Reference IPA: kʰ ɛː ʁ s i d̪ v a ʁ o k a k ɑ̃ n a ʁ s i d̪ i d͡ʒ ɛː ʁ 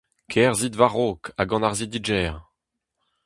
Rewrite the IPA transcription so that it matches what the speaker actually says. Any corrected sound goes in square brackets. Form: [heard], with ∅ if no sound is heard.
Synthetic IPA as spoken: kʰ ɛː ʁ [z] i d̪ v a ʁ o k a [ɡ] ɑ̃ n a ʁ [z] i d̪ i d͡ʒ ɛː ʁ